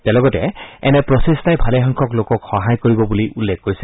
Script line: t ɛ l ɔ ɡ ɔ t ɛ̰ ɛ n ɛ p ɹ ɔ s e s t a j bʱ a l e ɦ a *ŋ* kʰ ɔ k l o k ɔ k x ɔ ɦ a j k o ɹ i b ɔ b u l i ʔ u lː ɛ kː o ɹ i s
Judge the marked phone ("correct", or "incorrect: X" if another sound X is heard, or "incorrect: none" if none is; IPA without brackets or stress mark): correct